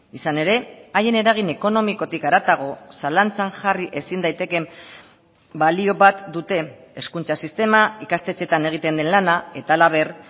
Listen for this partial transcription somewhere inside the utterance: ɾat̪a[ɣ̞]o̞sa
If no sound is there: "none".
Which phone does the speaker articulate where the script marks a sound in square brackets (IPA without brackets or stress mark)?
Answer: ɣ̞